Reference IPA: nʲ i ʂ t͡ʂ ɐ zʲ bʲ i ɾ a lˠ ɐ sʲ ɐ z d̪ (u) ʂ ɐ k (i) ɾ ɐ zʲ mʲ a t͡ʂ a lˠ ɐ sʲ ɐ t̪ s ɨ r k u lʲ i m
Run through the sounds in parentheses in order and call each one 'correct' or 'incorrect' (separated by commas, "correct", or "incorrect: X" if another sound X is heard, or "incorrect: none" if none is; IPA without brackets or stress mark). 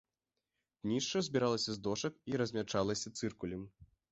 incorrect: ɔ, correct